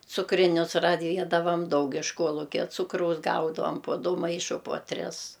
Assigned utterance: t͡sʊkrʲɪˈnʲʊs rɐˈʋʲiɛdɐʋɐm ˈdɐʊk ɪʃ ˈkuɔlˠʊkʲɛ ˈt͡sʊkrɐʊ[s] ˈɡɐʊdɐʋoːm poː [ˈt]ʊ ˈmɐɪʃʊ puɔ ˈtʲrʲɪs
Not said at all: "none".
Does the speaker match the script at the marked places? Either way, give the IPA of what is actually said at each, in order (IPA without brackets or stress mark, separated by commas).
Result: s, d